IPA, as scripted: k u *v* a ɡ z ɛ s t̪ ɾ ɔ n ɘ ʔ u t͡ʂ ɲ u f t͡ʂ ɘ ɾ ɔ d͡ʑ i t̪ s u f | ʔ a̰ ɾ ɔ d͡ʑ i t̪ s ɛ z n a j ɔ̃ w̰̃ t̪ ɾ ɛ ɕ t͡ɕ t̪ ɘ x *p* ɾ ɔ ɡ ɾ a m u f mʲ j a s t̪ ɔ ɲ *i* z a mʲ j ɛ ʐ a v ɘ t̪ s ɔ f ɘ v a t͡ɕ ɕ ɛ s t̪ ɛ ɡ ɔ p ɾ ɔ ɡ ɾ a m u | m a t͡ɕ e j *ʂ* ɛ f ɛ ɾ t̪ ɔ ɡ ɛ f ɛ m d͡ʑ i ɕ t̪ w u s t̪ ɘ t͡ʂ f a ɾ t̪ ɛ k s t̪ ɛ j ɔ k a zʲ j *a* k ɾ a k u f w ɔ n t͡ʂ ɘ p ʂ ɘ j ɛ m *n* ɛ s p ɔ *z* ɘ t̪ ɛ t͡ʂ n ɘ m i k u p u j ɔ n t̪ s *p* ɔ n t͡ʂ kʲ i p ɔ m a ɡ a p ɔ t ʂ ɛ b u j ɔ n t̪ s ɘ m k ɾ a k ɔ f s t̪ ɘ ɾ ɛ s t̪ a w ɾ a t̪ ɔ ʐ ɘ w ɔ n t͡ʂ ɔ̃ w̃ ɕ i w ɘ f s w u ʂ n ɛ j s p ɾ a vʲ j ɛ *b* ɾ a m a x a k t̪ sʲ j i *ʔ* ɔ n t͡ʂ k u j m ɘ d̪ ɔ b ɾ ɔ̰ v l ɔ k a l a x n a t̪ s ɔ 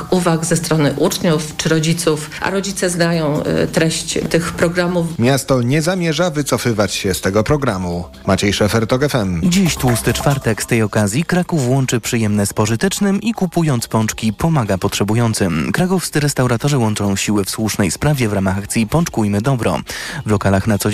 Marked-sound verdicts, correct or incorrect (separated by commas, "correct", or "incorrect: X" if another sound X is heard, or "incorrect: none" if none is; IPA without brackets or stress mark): correct, correct, incorrect: ɛ, correct, incorrect: i, correct, incorrect: ʐ, correct, incorrect: v, incorrect: p